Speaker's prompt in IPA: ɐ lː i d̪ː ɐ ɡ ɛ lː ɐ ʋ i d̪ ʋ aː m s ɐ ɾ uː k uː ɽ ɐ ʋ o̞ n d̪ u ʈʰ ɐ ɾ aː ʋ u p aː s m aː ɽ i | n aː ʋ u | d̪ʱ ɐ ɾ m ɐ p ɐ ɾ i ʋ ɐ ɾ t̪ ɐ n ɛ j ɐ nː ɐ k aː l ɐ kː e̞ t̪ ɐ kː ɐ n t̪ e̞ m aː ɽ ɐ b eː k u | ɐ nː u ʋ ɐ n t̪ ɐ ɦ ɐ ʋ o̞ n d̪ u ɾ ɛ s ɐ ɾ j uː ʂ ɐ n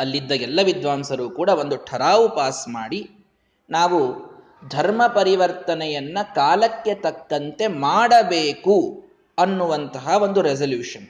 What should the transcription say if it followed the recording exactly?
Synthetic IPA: ɐ lː i d̪ː ɐ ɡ ɛ lː ɐ ʋ i d̪ ʋ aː m s ɐ ɾ uː k uː ɽ ɐ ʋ o̞ n d̪ u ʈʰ ɐ ɾ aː ʋ u p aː s m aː ɽ i | n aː ʋ u | d̪ʱ ɐ ɾ m ɐ p ɐ ɾ i ʋ ɐ ɾ t̪ ɐ n ɛ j ɐ nː ɐ k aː l ɐ kː e̞ t̪ ɐ kː ɐ n t̪ e̞ m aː ɽ ɐ b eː k u | ɐ nː u ʋ ɐ n t̪ ɐ ɦ ɐ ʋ o̞ n d̪ u ɾ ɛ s ɐ l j uː ʂ ɐ n